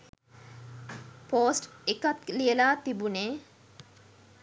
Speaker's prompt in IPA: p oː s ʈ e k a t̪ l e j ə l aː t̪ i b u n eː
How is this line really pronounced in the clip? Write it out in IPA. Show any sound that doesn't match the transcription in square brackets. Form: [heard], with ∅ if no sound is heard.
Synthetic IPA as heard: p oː s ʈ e k a t̪ l [i] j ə l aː t̪ i b u n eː

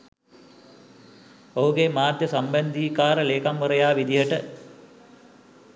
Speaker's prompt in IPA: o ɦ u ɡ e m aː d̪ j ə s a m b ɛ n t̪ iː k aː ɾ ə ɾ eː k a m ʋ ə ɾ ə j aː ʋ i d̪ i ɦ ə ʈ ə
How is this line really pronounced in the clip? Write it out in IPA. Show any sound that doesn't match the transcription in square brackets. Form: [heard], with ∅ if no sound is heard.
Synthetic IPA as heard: o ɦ u ɡ e m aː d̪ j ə s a m b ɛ n [d̪] iː k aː ɾ ə [l] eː k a m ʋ ə ɾ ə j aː ʋ i d̪ i ɦ ə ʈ ə

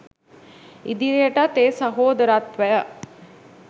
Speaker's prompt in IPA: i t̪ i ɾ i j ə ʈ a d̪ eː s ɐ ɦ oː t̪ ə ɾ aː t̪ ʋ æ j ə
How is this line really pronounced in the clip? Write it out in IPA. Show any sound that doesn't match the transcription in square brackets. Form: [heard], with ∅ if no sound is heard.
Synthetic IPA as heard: i [d̪] i ɾ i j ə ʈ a [t̪] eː s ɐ ɦ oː [d̪] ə ɾ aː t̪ ʋ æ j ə

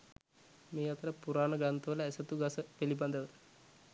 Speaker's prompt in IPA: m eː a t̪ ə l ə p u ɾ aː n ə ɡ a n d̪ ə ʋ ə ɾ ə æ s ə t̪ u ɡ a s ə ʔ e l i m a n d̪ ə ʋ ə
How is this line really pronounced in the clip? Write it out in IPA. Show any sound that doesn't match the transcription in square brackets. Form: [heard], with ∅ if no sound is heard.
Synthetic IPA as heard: m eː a t̪ ə [ɾ] ə p u ɾ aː n ə ɡ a n [t̪] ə ʋ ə [l] ə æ s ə t̪ u ɡ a s ə [p] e l i [b] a n d̪ ə ʋ ə

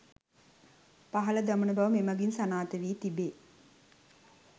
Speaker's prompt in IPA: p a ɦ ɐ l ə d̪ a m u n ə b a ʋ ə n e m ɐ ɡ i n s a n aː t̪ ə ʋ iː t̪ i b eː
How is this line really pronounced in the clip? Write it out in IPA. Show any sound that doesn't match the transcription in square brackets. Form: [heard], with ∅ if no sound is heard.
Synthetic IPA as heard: p a ɦ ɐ l ə d̪ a m u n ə b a ʋ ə [m] e m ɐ ɡ i n s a n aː t̪ ə ʋ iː t̪ i b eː

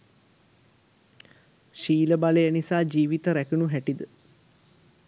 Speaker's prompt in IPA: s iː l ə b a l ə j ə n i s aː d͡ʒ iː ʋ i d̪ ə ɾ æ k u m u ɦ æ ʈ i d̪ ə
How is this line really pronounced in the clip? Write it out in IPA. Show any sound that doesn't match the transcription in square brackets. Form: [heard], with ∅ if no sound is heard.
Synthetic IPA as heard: [ʃ] iː l ə b a l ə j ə n i s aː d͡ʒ iː ʋ i [t̪] ə ɾ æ k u [n] u ɦ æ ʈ i d̪ ə

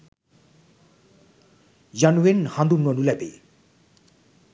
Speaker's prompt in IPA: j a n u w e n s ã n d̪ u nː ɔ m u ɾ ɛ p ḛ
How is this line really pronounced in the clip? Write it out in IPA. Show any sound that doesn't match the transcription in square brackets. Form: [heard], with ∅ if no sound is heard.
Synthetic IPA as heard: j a n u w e n [h] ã n d̪ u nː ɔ [n] u [l] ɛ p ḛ

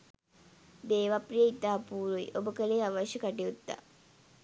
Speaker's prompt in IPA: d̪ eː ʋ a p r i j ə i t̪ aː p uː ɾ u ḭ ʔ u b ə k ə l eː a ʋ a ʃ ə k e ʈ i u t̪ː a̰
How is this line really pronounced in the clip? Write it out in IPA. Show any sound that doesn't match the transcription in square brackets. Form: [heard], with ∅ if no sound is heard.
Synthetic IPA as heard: d̪ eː ʋ a p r i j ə i t̪ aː p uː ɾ u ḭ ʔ [o] b ə k ə l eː a ʋ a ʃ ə k [a] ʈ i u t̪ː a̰

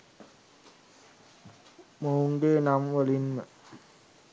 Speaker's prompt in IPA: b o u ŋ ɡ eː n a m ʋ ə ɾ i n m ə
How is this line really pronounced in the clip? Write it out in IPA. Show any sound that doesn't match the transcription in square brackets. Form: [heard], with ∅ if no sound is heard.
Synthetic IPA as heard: [m] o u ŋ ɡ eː n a m ʋ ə [l] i n m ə

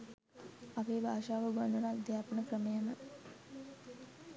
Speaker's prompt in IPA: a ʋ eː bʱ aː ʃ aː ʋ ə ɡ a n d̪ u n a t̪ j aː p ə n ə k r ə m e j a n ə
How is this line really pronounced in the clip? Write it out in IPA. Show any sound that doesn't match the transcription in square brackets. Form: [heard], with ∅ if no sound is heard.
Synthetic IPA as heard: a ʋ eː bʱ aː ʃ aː ʋ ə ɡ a n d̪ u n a [d̪] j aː p ə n ə k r ə m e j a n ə

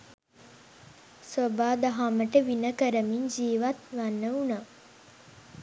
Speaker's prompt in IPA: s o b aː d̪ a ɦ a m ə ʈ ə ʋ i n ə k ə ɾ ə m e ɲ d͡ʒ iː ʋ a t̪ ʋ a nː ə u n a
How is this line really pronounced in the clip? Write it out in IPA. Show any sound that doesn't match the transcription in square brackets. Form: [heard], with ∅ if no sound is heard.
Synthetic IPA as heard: s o b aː d̪ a ɦ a m ə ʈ ə ʋ i n ə k ə ɾ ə m [i] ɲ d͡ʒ iː ʋ a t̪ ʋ a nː ə u n a

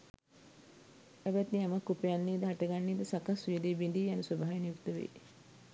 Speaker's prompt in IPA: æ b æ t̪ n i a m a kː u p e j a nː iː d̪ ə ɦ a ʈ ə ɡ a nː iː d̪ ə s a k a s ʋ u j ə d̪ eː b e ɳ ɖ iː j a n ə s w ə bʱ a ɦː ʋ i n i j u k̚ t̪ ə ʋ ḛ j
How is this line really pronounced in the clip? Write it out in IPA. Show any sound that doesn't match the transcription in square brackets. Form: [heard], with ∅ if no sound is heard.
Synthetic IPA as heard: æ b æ t̪ n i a m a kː u p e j a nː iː d̪ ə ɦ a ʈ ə ɡ a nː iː d̪ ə s a k a s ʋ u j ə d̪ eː b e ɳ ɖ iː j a n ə s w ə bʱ a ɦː ʋ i n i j u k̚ t̪ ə ʋ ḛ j

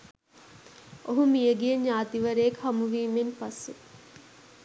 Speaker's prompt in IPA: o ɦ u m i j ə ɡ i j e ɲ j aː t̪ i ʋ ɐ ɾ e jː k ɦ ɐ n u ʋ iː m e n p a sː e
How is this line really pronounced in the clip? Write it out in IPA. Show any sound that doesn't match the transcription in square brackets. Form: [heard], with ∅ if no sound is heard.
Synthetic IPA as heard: o ɦ u m i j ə ɡ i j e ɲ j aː t̪ i ʋ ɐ ɾ e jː k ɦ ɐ [m] u ʋ iː m e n p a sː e

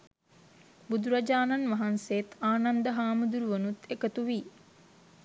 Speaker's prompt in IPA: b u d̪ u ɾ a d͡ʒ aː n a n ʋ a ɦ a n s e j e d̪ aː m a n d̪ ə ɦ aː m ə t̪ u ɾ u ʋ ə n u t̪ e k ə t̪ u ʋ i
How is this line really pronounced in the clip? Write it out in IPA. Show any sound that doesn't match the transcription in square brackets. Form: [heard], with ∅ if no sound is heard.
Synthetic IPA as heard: b u d̪ u ɾ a d͡ʒ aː n a n ʋ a ɦ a n s e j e [t̪] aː [n] a n d̪ ə ɦ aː m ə [d̪] u ɾ u ʋ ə n u t̪ e k ə t̪ u ʋ i

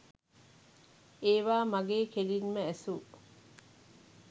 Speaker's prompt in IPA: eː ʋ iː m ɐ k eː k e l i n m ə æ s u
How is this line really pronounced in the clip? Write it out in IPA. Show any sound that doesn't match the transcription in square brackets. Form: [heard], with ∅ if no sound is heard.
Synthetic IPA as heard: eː ʋ [aː] m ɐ [ɡ] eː k e l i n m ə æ s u

